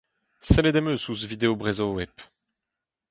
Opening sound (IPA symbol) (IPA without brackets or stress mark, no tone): s